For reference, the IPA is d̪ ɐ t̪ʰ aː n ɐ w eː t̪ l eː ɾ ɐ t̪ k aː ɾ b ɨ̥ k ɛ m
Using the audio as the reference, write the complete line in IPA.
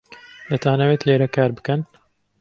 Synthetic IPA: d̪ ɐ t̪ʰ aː n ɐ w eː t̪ l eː ɾ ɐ k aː ɾ b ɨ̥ k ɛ n